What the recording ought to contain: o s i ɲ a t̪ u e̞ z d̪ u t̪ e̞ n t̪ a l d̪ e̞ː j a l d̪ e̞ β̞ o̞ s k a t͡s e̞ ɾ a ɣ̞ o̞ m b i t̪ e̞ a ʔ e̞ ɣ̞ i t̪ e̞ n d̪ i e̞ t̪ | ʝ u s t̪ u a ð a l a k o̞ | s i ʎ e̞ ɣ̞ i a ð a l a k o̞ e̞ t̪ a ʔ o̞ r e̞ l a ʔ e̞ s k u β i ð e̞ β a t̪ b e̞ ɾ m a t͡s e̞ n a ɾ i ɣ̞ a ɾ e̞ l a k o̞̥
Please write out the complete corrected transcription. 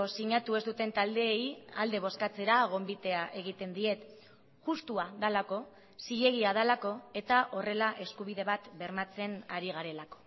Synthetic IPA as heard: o s i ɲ a t̪ u e̞ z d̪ u t̪ e̞ n t̪ a l d̪ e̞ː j a l d̪ e̞ β̞ o̞ s k a t͡s e̞ ɾ a ɣ̞ o̞ m b i t̪ e̞ a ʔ e̞ ɣ̞ i t̪ e̞ n d̪ i e̞ t̪ | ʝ u s t̪ u a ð a l a k o̞ | s i ʎ e̞ ɣ̞ i a ð a l a k o̞ e̞ t̪ a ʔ o̞ r e̞ l a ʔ e̞ s k u β i ð e̞ β a t̪ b e̞ ɾ m a t͡s e̞ n a ɾ i ɣ̞ a ɾ e̞ l a k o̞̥